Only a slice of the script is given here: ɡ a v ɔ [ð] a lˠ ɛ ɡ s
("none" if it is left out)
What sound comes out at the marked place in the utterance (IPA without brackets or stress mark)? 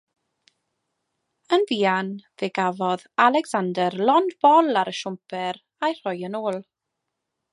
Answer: ð